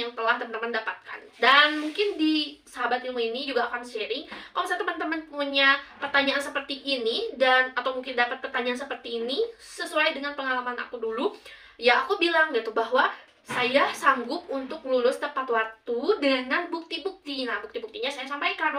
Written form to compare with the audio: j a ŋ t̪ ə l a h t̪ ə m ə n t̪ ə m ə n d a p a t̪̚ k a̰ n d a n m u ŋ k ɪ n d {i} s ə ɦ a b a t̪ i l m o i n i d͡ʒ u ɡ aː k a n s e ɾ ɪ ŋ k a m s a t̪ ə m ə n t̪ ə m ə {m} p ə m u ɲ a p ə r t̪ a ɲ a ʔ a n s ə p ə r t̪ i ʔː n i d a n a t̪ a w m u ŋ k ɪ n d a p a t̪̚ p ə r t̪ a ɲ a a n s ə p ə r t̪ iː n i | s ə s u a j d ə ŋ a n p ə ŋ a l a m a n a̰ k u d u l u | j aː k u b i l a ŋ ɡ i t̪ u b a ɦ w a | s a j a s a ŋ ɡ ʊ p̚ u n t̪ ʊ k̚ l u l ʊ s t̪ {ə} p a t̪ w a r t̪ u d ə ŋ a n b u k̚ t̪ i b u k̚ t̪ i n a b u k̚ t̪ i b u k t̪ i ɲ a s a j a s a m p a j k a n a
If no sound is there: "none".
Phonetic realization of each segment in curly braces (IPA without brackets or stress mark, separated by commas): i, n, ə